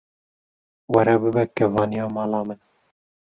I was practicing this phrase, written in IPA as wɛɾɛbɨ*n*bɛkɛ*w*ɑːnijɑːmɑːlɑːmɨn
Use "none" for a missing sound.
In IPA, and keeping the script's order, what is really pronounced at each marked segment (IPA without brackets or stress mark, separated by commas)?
none, v